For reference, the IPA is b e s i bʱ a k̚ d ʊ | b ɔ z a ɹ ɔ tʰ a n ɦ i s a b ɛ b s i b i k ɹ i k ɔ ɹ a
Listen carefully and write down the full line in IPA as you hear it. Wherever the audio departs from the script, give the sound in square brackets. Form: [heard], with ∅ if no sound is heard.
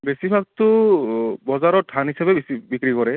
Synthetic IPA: b e s i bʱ a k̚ [t] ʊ | b ɔ z a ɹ ɔ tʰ a n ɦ i s a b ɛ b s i b i k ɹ i k ɔ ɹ [ɛ]